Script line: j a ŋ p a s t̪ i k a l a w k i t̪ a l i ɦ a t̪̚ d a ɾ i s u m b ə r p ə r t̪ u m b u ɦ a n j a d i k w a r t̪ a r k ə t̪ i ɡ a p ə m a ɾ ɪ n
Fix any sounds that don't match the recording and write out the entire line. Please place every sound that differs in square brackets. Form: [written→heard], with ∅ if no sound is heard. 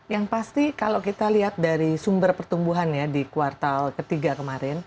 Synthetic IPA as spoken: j a ŋ p a s t̪ i k a l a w k i t̪ a l i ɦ a t̪̚ d a ɾ i s u m b ə r p ə r t̪ u m b u ɦ a n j a d i k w a r t̪ a [r→l] k ə t̪ i ɡ a [p→k] ə m a ɾ ɪ n